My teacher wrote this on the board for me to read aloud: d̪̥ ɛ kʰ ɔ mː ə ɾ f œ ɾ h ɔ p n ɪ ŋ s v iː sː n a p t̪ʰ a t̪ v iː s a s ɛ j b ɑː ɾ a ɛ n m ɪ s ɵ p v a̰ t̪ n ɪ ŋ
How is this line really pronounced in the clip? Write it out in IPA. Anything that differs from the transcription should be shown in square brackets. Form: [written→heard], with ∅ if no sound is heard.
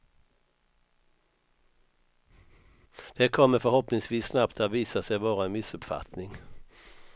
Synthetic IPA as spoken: d̪̥ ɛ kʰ ɔ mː ə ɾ f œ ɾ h ɔ p n ɪ ŋ s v iː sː n a p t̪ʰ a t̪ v iː s a s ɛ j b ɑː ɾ a ɛ n m ɪ s ɵ p [v→f] a̰ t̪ n ɪ ŋ

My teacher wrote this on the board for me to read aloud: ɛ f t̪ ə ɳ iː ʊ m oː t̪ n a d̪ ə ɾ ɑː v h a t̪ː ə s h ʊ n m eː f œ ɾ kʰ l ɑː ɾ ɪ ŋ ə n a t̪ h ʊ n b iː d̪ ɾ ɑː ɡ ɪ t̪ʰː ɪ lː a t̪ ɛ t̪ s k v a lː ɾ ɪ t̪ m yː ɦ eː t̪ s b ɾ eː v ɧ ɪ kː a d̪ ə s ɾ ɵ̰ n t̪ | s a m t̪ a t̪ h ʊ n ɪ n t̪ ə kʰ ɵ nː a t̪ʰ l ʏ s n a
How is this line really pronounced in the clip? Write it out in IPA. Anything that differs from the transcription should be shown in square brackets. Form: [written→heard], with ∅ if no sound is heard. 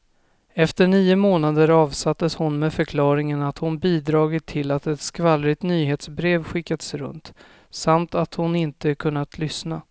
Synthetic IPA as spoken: ɛ f t̪ ə ɳ iː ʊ m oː [t̪→∅] n a d̪ ə ɾ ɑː v [h→s] a t̪ː ə s h ʊ n m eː f œ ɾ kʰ l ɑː ɾ ɪ ŋ ə n a t̪ h ʊ n b iː d̪ ɾ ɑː ɡ ɪ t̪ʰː ɪ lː a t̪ ɛ t̪ s k v a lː ɾ ɪ t̪ [m→n] yː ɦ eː t̪ s b ɾ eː v ɧ ɪ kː a d̪ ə s ɾ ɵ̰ n t̪ | s a m t̪ a t̪ h ʊ n ɪ n t̪ ə kʰ ɵ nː a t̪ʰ l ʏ s n a

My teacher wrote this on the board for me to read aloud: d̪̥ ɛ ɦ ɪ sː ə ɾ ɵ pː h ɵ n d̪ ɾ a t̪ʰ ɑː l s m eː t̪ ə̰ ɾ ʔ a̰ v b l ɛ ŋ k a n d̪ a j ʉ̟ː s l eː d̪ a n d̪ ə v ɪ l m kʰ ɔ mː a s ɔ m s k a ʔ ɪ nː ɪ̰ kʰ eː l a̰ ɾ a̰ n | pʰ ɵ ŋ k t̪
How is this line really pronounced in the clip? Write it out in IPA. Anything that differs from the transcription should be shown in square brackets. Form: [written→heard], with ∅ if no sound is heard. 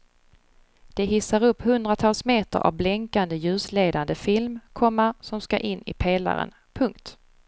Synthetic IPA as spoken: d̪̥ ɛ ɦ ɪ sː [ə→a] ɾ ɵ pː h ɵ n d̪ ɾ a t̪ʰ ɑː l s m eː t̪ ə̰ ɾ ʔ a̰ v b l ɛ ŋ k a n d̪ [a→ə] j ʉ̟ː s l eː d̪ a n d̪ ə [v→f] ɪ l m kʰ ɔ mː a s ɔ m s k a ʔ ɪ nː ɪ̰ [kʰ→pʰ] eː l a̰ ɾ [a̰→ə̰] n | pʰ ɵ ŋ k t̪

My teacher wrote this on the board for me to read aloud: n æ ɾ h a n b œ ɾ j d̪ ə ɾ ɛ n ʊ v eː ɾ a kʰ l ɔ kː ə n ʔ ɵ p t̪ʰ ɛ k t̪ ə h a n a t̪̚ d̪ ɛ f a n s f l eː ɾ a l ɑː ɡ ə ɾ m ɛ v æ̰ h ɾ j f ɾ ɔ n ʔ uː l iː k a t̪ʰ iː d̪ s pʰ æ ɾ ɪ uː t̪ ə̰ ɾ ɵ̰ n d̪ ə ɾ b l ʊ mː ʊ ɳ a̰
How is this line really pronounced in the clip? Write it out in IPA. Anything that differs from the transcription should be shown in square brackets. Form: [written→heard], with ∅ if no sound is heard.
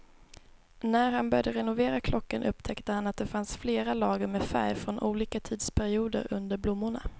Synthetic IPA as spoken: n æ ɾ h a n b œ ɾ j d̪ ə ɾ ɛ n ʊ v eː ɾ a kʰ l ɔ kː ə n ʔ ɵ p t̪ʰ ɛ k t̪ ə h a n a t̪̚ d̪ ɛ f a n s f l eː ɾ a l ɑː ɡ ə ɾ m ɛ [v→f] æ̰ [h→∅] ɾ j f ɾ ɔ n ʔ uː l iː k a t̪ʰ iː d̪ s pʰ æ ɾ ɪ uː [t̪→d̪] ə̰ ɾ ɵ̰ n d̪ ə ɾ b l ʊ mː ʊ ɳ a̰

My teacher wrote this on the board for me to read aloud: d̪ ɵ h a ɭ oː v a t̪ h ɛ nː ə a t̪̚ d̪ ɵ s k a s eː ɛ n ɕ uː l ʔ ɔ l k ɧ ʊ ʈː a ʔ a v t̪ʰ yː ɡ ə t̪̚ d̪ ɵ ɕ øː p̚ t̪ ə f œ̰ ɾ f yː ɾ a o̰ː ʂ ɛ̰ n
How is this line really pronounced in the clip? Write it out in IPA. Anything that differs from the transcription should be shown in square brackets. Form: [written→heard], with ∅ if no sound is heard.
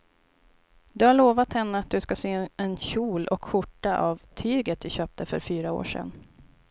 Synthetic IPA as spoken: d̪ ɵ h a ɭ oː v a t̪ h ɛ nː ə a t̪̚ d̪ ɵ s k a s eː ɛ n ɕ uː l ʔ ɔ [l→∅] k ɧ ʊ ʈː a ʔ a v t̪ʰ yː ɡ ə t̪̚ d̪ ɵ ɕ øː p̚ t̪ ə f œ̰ ɾ f yː ɾ a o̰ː ʂ ɛ̰ n

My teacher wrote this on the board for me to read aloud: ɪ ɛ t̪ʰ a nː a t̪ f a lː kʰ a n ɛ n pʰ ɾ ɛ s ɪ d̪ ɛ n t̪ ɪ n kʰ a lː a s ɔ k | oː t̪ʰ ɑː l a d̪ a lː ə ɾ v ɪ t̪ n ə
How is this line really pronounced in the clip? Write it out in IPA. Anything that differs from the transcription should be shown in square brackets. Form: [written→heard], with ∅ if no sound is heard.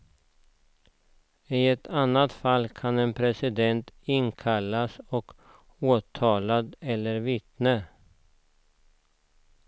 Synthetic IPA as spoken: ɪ ɛ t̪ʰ a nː a t̪ f a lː kʰ a n ɛ n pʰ ɾ ɛ s ɪ d̪ ɛ n t̪ ɪ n kʰ a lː a s ɔ k | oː t̪ʰ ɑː l a d̪ [a→ɛ] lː ə ɾ v ɪ t̪ n ə

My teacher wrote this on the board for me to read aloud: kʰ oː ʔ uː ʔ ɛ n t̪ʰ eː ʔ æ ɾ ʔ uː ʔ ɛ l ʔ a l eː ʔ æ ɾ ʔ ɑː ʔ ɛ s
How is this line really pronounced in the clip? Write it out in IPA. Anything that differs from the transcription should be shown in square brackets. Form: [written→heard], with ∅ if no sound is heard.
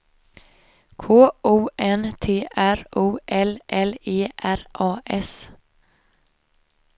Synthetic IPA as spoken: kʰ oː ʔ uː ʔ ɛ n t̪ʰ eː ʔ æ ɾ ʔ uː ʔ ɛ l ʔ [a→ɛ] l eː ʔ æ ɾ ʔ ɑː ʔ ɛ s

